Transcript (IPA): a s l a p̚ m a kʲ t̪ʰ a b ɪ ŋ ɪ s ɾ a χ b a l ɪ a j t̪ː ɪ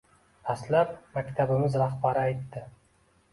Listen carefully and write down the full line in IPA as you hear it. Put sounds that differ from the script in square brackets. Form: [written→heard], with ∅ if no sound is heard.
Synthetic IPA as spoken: a s l a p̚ m a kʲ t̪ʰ a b ɪ [ŋ→m] ɪ [s→z] ɾ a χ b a [l→ɾ] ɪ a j t̪ː ɪ